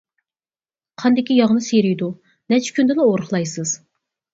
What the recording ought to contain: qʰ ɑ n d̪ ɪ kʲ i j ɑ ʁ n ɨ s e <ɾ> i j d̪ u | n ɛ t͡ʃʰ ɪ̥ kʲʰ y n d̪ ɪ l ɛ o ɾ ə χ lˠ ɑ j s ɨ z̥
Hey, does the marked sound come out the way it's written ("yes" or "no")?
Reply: yes